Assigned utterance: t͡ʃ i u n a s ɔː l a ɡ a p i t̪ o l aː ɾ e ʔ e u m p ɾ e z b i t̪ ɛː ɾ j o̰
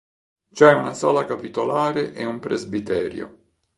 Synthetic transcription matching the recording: t͡ʃ ɛ u n a s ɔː l a k a p i t̪ o l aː ɾ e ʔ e u m p ɾ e z b i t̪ ɛː ɾ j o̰